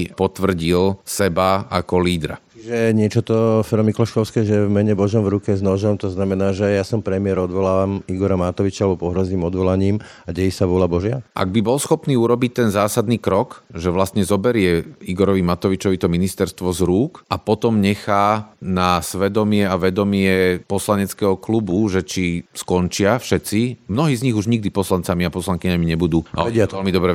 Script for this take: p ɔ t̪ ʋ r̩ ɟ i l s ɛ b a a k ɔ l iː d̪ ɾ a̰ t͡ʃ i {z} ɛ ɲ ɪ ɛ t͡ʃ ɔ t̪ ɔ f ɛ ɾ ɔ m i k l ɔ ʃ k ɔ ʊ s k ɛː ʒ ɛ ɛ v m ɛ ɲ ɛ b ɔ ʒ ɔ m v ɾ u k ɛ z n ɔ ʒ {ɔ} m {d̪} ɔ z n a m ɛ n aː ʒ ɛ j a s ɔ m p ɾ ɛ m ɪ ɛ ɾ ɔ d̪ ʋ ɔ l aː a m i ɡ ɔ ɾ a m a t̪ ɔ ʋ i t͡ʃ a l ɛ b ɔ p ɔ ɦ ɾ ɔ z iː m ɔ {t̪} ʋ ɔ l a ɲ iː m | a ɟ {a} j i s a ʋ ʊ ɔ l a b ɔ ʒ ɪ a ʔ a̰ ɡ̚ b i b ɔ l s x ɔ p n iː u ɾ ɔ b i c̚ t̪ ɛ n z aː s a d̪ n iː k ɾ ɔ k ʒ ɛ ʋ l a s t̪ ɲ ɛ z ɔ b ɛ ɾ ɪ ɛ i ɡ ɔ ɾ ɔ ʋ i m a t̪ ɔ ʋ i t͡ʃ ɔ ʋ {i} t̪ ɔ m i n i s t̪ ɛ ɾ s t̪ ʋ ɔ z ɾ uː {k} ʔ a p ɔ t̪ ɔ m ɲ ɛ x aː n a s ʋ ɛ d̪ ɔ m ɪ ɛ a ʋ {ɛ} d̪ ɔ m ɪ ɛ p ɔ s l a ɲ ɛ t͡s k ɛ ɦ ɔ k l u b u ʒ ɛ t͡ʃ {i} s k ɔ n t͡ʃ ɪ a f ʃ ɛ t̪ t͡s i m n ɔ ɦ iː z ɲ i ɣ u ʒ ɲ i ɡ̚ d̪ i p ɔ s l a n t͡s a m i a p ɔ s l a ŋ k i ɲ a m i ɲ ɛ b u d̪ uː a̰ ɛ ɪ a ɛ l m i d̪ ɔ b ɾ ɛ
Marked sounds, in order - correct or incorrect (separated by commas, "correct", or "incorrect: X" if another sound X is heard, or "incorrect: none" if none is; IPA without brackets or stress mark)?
incorrect: ʒ, correct, incorrect: t̪, incorrect: d̪, incorrect: ɛ, correct, correct, correct, correct